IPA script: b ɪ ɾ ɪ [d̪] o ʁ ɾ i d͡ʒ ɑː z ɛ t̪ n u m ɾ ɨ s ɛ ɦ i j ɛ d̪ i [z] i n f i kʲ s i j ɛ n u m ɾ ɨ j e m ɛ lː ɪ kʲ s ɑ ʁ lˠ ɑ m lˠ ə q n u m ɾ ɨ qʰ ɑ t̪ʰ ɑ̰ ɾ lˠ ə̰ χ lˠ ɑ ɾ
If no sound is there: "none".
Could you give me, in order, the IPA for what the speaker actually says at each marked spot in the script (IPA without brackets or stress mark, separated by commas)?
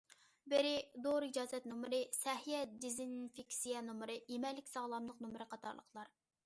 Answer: d̪, z